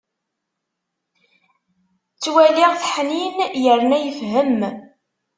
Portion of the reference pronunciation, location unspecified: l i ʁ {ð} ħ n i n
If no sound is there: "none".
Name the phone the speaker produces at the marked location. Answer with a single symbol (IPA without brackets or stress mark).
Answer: θ